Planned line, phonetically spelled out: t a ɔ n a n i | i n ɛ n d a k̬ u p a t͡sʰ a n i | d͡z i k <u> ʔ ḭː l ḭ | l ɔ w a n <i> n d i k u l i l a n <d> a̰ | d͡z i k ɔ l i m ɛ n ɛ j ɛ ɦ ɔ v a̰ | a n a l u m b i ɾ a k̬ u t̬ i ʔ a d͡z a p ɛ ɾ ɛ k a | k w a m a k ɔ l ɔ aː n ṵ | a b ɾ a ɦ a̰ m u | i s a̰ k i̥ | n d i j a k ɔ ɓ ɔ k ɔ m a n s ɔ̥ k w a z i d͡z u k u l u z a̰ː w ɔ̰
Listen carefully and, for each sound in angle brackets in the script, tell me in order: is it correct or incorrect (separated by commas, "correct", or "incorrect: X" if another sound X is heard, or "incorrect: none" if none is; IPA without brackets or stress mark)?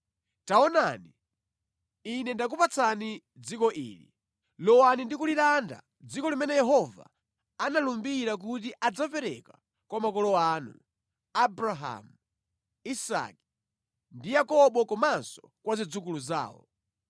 incorrect: ɔ, correct, correct